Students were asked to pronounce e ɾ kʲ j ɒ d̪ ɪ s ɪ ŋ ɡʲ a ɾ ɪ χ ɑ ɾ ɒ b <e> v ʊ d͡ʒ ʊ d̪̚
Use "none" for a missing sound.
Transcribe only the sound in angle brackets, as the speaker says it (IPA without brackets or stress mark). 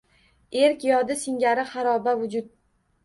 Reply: a